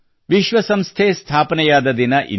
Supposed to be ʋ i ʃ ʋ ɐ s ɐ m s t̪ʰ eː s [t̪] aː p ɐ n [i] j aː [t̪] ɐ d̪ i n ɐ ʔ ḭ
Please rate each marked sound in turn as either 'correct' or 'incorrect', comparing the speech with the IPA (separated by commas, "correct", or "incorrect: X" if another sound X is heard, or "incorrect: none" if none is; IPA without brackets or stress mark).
incorrect: t̪ʰ, incorrect: ɛ, incorrect: d̪